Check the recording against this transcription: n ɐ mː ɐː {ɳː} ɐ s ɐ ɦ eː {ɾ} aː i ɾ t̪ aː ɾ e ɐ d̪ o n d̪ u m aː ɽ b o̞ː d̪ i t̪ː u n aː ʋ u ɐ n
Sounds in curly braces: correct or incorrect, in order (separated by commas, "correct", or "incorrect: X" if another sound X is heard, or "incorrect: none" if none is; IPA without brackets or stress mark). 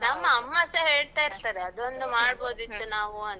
incorrect: mː, incorrect: ɭ